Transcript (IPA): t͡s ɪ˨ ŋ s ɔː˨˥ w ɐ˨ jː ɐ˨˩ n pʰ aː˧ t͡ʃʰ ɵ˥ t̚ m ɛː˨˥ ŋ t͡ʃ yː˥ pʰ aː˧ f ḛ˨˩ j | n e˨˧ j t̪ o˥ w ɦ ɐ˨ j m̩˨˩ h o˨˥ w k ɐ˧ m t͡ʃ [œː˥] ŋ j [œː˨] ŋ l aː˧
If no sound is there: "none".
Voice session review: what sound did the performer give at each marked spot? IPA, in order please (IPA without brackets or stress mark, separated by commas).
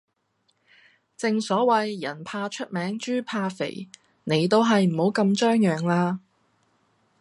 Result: œː˥, œː˨